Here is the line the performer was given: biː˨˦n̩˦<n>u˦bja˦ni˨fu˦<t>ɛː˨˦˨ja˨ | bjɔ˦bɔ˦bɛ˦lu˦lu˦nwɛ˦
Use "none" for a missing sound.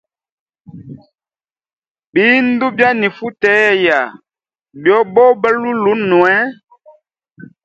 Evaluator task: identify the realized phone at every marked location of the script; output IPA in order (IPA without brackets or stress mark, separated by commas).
d, t